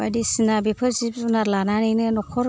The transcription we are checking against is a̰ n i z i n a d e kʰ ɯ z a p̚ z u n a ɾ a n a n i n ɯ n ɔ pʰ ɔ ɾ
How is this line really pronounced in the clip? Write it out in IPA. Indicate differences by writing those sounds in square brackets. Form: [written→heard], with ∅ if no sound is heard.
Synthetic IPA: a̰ [n→d] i [z→s] i n a [d→b] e [kʰ→pʰ] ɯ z [a→i] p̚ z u n a [ɾ→l] a n a n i n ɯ n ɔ [pʰ→kʰ] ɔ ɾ

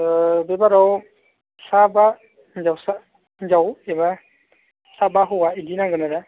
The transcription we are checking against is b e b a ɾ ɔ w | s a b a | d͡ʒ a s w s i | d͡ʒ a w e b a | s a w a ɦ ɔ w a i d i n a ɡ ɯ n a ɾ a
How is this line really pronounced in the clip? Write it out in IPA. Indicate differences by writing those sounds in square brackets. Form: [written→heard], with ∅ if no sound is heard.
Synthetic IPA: b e b a ɾ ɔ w | s a b a | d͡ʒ a [s→∅] w s [i→a] | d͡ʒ a w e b a | s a [w→b] a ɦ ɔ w a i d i n a ɡ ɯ n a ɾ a

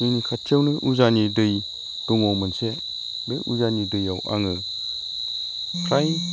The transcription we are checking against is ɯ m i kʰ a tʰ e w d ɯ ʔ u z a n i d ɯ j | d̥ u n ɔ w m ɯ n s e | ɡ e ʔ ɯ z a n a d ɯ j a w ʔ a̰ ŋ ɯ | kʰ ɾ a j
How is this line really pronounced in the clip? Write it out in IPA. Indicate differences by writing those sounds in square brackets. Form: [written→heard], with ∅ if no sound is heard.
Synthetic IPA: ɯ [m→n] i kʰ a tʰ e w [d→n] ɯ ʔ u z a n i d ɯ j | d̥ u [n→ŋ] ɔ w m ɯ n s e | [ɡ→b] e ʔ [ɯ→u] z a n [a→i] d ɯ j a w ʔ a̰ ŋ ɯ | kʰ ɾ a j

